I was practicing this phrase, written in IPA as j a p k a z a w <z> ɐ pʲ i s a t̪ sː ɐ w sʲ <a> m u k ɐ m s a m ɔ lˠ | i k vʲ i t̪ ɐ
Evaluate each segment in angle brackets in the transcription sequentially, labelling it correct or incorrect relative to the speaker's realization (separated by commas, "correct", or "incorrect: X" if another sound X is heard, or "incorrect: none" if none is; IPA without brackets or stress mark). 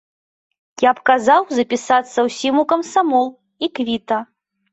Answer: correct, incorrect: i